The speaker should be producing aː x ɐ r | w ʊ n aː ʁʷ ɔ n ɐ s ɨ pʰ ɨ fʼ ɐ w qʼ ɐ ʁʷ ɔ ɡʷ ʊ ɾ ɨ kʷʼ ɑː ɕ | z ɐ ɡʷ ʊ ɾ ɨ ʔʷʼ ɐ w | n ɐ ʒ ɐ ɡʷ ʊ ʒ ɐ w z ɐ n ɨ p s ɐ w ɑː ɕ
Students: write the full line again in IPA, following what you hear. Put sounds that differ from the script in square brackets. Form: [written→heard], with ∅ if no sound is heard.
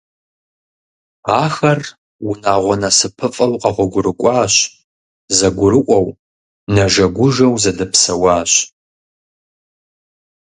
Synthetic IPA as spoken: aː x ɐ r | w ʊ n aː ʁʷ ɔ n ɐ s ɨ pʰ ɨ fʼ ɐ w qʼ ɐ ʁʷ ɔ ɡʷ ʊ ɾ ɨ kʷʼ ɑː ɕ | z ɐ ɡʷ ʊ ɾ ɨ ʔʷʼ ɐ w | n ɐ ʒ ɐ ɡʷ ʊ ʒ ɐ w z ɐ [n→d] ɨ p s ɐ w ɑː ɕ